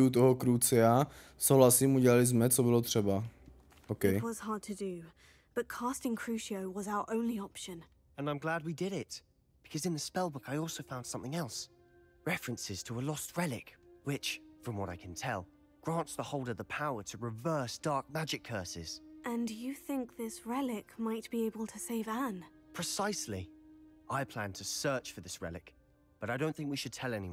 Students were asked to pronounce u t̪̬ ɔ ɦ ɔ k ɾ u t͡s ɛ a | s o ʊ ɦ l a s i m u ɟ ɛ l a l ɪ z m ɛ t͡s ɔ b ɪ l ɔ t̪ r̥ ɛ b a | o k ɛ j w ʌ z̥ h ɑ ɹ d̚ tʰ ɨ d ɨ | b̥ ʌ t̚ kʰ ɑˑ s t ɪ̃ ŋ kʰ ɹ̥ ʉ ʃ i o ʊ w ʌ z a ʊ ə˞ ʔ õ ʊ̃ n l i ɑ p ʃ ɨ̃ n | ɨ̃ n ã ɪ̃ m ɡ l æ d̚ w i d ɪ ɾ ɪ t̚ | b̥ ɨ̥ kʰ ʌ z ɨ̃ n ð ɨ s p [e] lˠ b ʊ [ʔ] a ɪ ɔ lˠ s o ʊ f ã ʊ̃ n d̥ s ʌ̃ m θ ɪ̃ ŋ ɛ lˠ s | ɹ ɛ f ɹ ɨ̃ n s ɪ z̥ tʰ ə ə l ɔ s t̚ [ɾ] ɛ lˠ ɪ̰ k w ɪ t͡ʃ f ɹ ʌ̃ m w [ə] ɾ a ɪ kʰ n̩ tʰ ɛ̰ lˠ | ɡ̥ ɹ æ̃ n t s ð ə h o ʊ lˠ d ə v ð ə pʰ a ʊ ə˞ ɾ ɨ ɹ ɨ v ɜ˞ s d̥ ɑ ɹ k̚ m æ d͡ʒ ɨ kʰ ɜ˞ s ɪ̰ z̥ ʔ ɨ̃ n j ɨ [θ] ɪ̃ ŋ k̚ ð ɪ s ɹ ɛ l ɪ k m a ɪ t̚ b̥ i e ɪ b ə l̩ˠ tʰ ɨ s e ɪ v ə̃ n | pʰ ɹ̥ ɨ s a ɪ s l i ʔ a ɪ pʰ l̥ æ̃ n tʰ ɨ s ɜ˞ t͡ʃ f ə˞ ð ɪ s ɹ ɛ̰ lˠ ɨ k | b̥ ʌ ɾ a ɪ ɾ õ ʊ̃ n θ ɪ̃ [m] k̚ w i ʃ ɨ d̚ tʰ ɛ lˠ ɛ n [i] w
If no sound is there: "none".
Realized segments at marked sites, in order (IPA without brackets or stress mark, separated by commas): ɛ, k, ɹ, ʌ, θ, ŋ, i